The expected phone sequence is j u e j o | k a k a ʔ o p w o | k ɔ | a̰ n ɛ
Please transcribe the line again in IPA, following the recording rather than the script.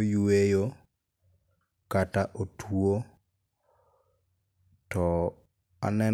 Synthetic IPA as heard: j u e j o | k a t a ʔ o t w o | t ɔ | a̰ n ɛ

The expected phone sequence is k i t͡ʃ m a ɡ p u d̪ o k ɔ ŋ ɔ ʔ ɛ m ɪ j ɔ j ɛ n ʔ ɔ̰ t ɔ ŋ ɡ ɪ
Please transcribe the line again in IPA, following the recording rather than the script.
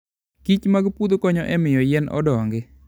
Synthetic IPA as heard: k i t͡ʃ m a ɡ p u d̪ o k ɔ ɲ ɔ ʔ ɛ m ɪ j ɔ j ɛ n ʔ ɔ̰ d ɔ ŋ ɡ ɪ

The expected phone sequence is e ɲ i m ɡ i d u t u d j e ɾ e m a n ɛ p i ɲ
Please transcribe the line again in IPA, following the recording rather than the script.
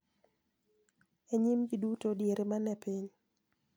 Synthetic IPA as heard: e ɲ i m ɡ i d u t o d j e ɾ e m a n ɛ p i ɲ

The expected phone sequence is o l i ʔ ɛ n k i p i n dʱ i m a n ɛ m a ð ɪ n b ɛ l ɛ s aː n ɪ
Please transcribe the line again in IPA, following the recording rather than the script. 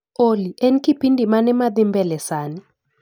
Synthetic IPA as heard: o l i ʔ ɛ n k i p i n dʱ i m a n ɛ m a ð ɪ m b ɛ l ɛ s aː n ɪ

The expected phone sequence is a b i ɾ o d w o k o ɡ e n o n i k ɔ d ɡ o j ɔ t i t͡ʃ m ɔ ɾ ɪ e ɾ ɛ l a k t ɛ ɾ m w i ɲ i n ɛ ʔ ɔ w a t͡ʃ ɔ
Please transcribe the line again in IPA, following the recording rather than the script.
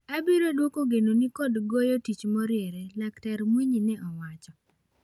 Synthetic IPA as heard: a b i ɾ o d w o k o ɡ e n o n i k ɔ d ɡ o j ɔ t i t͡ʃ m ɔ ɾ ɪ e ɾ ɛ l a k t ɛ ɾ m w i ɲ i n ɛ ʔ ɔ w a t͡ʃ ɔ

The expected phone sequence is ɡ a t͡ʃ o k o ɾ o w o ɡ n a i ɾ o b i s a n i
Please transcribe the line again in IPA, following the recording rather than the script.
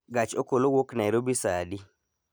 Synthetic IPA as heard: ɡ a t͡ʃ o k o l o w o k n a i ɾ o b i s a d i

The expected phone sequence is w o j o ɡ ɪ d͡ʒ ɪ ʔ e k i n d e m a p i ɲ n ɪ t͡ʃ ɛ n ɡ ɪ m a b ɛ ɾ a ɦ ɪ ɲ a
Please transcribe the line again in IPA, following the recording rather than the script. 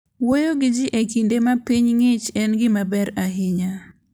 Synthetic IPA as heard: w o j o ɡ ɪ d͡ʒ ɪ ʔ e k i n d e m a p i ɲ ŋ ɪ t͡ʃ ɛ n ɡ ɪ m a b ɛ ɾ a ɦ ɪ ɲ a

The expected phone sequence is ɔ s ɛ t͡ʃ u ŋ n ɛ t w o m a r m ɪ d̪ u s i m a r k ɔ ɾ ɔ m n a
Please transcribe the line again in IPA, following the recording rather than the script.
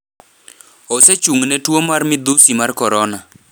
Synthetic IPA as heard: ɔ s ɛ t͡ʃ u ŋ n ɛ t w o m a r m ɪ d̪ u s i m a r k ɔ ɾ ɔ n a

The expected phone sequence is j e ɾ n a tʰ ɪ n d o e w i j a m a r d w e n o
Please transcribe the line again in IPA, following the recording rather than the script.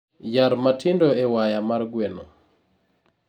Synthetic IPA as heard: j a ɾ m a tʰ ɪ n d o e w a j a m a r ɡ w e n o

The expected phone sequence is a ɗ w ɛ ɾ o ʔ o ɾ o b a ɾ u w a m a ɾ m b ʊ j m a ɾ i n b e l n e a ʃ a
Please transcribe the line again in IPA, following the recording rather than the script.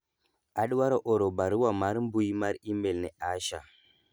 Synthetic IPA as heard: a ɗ w a ɾ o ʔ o ɾ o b a ɾ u w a m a ɾ m b u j m a ɾ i m b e l n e a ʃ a

